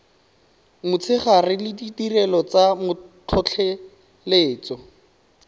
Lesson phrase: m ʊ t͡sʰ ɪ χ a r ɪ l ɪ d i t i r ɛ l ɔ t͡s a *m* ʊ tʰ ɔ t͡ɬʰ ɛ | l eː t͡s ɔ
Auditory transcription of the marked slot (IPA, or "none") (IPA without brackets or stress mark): m